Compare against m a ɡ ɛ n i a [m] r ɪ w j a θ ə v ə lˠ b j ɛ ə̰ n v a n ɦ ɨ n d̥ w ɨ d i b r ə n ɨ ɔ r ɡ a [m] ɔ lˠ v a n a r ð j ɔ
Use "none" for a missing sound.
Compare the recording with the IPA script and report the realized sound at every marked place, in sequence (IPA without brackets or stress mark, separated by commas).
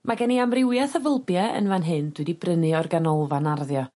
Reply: m, n